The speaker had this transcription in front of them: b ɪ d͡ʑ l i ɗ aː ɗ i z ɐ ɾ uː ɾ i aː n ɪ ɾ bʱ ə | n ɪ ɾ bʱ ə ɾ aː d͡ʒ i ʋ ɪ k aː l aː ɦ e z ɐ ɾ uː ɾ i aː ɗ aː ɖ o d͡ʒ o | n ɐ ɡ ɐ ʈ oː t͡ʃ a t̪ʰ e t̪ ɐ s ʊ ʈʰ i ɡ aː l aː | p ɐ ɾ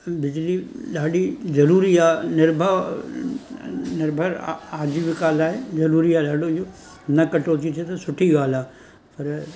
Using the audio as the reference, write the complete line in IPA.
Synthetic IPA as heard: b ɪ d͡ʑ l i ɗ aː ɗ i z ɐ ɾ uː ɾ i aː n ɪ ɾ bʱ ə | n ɪ ɾ bʱ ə ɾ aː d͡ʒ i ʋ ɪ k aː l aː ɦ e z ɐ ɾ uː ɾ i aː ɗ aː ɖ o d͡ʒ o | n ɐ k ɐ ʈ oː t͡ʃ i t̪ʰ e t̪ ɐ s ʊ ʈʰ i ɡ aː l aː | p ɐ ɾ